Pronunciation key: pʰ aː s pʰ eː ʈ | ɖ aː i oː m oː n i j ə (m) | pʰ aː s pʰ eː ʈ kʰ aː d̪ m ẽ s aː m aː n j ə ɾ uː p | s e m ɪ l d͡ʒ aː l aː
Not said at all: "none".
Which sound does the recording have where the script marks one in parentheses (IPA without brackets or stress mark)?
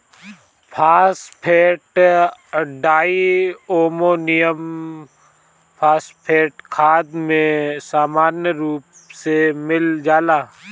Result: m